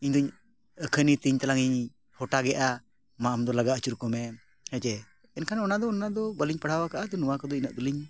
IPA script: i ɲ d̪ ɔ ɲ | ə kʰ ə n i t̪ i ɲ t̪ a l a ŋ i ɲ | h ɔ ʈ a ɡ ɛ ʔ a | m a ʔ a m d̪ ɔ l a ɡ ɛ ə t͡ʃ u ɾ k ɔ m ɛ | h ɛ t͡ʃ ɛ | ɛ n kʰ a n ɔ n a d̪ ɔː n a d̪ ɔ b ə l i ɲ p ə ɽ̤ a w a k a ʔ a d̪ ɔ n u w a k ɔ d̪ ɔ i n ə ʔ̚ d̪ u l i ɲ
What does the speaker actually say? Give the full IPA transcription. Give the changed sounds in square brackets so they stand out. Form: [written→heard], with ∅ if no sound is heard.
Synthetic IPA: i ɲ d̪ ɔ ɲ | ə kʰ ə n i t̪ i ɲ t̪ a l a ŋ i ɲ | h ɔ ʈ a ɡ ɛ ʔ a | m a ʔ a m d̪ ɔ l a ɡ [ɛ→a] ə t͡ʃ u ɾ k ɔ m ɛ | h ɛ t͡ʃ ɛ | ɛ n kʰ a n ɔ n a d̪ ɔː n a d̪ ɔ b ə l i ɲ p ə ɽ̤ a w a k a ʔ a d̪ ɔ n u w a k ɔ d̪ ɔ i n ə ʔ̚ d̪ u l i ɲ

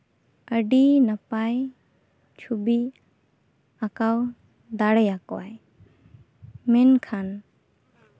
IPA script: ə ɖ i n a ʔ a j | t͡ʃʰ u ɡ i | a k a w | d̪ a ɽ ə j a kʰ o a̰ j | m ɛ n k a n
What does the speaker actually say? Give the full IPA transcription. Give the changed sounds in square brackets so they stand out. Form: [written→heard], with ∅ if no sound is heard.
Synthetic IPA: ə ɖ i n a [ʔ→p] a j | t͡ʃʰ u [ɡ→b] i | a k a w | d̪ a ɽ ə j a [kʰ→k] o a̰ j | m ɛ n [k→kʰ] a n

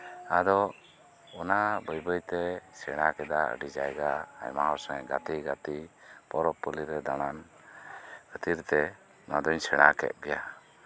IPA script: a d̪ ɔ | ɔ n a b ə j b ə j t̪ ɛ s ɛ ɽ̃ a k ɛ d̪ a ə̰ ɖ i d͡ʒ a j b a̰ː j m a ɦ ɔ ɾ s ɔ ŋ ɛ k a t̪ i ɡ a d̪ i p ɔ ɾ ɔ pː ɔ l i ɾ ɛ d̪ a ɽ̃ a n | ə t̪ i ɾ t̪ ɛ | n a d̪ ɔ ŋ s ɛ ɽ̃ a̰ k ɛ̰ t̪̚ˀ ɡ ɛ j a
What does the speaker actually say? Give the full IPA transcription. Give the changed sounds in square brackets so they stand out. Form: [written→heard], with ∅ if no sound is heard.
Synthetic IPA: a d̪ ɔ | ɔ n a b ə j b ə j t̪ ɛ s ɛ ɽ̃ a k ɛ d̪ a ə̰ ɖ i d͡ʒ a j [b→ɡ] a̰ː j m a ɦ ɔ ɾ s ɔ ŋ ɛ [k→ɡ] a t̪ i ɡ a [d̪→t̪] i p ɔ ɾ ɔ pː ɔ l i ɾ ɛ d̪ a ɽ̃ a n | ə t̪ i ɾ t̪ ɛ | n a d̪ ɔ [ŋ→ɲ] s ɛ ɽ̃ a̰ k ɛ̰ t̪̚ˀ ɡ ɛ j a

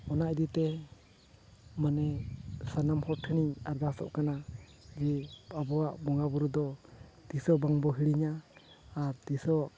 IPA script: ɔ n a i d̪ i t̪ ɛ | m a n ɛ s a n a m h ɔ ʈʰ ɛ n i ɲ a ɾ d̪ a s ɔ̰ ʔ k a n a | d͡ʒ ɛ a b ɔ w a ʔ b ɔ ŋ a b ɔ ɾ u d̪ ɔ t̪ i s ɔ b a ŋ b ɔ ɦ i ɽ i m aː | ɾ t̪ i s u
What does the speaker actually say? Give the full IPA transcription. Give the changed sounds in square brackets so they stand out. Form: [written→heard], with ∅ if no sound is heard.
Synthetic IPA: ɔ n a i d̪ i t̪ ɛ | m a n ɛ s a n a m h ɔ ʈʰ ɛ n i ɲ a ɾ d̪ a s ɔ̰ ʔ k a n a | d͡ʒ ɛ a b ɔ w a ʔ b ɔ ŋ a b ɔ ɾ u d̪ ɔ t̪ i s ɔ b a ŋ b ɔ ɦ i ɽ i [m→ɲ] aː | ɾ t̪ i s [u→ɔ]

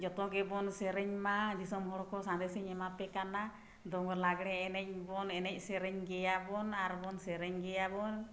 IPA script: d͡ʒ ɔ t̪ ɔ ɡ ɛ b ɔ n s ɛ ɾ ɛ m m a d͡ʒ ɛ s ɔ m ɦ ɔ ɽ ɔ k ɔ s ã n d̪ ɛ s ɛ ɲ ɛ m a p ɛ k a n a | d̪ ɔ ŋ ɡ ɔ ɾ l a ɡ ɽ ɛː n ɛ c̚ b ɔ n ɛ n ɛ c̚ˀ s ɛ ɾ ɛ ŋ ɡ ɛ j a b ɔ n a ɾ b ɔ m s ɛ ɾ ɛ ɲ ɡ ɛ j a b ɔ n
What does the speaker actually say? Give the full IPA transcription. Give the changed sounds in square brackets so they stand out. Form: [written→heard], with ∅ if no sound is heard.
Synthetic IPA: d͡ʒ ɔ t̪ ɔ ɡ ɛ b ɔ n s ɛ ɾ ɛ [m→ɲ] m a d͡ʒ [ɛ→i] s ɔ m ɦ ɔ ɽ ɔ k ɔ s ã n d̪ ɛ s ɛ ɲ ɛ m a p ɛ k a n a | d̪ ɔ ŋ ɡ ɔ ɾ l a ɡ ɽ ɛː n ɛ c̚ b ɔ n ɛ n ɛ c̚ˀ s ɛ ɾ ɛ [ŋ→ɲ] ɡ ɛ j a b ɔ n a ɾ b ɔ [m→n] s ɛ ɾ ɛ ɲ ɡ ɛ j a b ɔ n

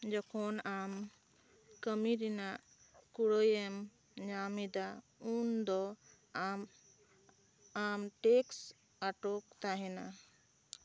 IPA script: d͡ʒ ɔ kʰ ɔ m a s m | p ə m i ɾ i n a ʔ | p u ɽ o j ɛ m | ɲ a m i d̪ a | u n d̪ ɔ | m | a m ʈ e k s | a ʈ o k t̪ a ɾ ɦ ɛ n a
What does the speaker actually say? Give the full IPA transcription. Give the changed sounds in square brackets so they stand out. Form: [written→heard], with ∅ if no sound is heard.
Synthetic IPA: d͡ʒ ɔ kʰ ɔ [m→n] a [s→∅] m | [p→k] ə m i ɾ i n a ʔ | [p→k] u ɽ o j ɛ m | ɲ a m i d̪ a | u n d̪ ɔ | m | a m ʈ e k s | a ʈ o k t̪ a [ɾ→∅] ɦ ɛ n a

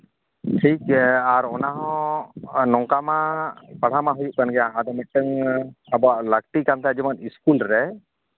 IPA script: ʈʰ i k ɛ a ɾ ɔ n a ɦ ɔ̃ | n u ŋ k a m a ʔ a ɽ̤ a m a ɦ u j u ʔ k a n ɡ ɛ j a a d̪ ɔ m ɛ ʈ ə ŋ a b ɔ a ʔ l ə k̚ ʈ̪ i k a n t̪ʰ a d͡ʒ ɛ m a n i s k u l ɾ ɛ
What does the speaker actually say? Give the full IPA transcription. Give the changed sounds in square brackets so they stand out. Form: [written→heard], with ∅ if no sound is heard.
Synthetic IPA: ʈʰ i k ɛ a ɾ ɔ n a ɦ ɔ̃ | n [u→ɔ] ŋ k a m a [ʔ→p] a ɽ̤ a m a ɦ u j u ʔ k a n ɡ ɛ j a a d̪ ɔ m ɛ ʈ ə ŋ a b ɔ a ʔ l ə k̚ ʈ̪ i k a n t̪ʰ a d͡ʒ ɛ m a n i s k u l ɾ ɛ

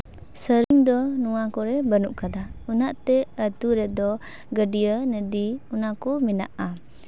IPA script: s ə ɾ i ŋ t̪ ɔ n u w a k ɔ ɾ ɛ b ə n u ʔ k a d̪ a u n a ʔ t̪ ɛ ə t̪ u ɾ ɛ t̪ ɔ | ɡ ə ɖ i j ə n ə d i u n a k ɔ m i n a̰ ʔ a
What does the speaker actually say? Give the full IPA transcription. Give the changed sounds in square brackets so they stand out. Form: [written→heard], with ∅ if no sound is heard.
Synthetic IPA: s ə ɾ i ŋ [t̪→d̪] ɔ n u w a k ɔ ɾ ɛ b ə n u ʔ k a d̪ a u n a ʔ t̪ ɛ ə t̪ u ɾ ɛ [t̪→d̪] ɔ | ɡ ə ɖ i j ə n ə d i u n a k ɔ m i n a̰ ʔ a

